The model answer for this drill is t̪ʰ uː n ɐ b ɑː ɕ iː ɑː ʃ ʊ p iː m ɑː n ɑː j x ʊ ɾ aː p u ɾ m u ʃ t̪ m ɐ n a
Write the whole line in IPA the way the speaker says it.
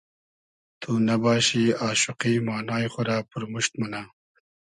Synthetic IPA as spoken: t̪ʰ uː n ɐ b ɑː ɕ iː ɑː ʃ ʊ q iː m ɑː n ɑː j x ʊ ɾ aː p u ɾ m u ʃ t̪ m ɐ n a

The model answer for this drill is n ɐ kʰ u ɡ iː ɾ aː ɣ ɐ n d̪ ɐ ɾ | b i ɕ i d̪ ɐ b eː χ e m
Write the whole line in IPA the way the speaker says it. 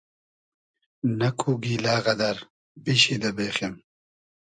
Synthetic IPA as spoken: n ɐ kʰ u ɡ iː l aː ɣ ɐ d̪ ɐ ɾ | b i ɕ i d̪ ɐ b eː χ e m

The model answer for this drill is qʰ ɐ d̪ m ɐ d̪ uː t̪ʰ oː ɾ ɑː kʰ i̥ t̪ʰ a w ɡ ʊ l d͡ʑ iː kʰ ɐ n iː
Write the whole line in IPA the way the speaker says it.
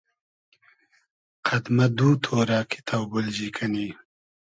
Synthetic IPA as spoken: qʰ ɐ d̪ m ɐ d̪ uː t̪ʰ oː ɾ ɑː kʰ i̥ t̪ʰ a w b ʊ l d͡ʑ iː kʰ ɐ n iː

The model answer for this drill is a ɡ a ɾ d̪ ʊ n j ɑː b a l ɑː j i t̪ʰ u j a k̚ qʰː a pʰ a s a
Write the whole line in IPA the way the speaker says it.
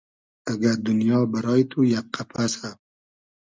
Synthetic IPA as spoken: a ɡ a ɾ d̪ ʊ n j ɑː b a ɾ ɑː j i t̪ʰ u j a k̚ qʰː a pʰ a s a

